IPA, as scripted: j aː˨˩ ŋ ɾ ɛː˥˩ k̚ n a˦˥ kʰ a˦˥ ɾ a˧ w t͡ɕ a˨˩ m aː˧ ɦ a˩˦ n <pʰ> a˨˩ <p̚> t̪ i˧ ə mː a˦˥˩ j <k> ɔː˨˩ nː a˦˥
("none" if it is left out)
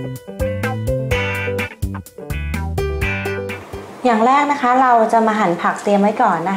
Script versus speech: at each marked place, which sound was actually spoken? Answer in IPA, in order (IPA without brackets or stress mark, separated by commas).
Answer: pʰ, k̚, k